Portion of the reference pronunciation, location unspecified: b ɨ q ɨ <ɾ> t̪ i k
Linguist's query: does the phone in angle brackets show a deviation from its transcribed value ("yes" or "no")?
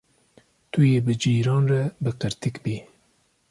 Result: no